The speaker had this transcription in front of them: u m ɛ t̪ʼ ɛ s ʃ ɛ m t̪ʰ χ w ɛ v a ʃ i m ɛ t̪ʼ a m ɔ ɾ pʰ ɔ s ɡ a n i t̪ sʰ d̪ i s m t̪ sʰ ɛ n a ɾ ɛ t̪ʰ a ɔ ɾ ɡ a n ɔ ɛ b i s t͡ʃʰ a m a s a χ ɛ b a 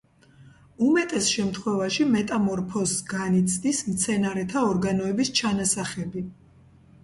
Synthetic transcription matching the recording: u m ɛ t̪ʼ ɛ s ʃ ɛ m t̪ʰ χ w ɛ v a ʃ i m ɛ t̪ʼ a m ɔ ɾ pʰ ɔ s ɡ a n i t̪ sʰ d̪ i s m t̪ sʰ ɛ n a ɾ ɛ t̪ʰ a ɔ ɾ ɡ a n ɔ ɛ b i s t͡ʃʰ a n a s a χ ɛ b i